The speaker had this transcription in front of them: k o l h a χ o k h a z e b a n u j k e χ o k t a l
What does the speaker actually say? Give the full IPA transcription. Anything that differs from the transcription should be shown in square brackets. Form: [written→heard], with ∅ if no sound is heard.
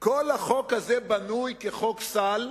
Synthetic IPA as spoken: k o l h a χ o k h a z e b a n u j k e χ o k [t→s] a l